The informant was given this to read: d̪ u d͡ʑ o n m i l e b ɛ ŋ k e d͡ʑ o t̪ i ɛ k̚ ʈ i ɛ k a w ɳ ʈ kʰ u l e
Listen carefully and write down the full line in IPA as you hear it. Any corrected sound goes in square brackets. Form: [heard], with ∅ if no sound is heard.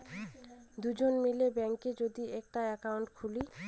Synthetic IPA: d̪ u d͡ʑ o n m i l e b ɛ ŋ k e d͡ʑ o [d̪] i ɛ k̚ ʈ [a] ɛ k a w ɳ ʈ kʰ u l [i]